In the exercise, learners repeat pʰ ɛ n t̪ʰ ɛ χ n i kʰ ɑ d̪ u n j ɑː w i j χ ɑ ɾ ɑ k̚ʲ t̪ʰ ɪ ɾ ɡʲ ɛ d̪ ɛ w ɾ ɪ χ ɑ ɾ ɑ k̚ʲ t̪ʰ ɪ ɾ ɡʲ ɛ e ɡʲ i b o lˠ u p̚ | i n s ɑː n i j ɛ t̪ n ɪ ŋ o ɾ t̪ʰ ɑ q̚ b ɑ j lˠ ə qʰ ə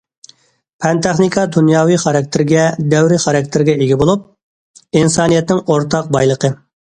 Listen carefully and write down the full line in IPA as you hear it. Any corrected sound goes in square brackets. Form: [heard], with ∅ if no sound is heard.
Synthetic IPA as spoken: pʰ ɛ n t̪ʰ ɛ χ n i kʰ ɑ d̪ u n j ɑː w i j χ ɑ ɾ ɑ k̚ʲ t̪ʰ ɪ ɾ ɡʲ ɛ d̪ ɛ w ɾ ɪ χ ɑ ɾ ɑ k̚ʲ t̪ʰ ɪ ɾ ɡʲ ɛ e ɡʲ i b o lˠ u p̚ | i n s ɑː n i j ɛ t̪ n ɪ ŋ o ɾ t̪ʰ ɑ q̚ b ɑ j lˠ ə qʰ ə